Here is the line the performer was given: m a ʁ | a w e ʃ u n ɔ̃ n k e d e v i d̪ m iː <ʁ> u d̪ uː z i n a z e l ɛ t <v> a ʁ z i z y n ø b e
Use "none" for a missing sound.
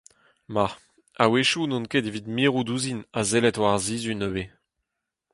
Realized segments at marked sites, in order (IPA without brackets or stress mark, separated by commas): ʁ, w